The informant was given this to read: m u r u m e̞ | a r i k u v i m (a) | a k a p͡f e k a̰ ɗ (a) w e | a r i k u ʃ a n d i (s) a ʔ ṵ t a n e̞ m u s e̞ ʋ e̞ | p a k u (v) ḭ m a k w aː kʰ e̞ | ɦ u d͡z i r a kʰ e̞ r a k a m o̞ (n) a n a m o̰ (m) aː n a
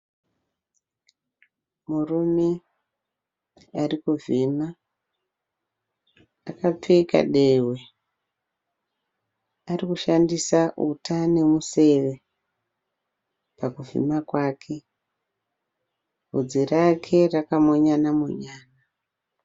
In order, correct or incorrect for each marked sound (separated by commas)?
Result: correct, incorrect, correct, correct, incorrect, incorrect